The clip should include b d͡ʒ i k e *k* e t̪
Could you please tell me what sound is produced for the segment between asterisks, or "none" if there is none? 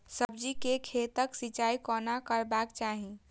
kʰ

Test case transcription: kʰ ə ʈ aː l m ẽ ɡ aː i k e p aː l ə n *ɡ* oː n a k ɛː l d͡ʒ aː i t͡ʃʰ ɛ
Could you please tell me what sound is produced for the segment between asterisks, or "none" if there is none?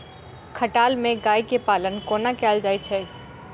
k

